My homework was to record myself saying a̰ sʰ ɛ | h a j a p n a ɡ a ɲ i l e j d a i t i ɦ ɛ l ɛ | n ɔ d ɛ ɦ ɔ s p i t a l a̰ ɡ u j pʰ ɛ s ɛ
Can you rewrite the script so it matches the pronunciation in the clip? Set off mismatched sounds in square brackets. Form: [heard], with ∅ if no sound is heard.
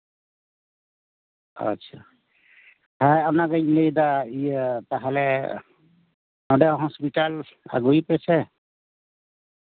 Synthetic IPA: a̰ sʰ [a] | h a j a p n a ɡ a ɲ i l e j d a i t [a] ɦ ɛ l ɛ | n ɔ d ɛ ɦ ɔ s p i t a l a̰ ɡ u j [p] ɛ s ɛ